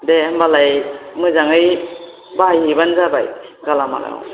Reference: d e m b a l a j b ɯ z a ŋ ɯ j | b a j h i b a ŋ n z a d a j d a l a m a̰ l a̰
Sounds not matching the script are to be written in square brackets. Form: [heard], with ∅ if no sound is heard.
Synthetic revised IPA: d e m b a l a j [m] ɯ z a ŋ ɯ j | b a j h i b a [∅] n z a [b] a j [ɡ] a l a m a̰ l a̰